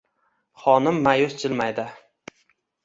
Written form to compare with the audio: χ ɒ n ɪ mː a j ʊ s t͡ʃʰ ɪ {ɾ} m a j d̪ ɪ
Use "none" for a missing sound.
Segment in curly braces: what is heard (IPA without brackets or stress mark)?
l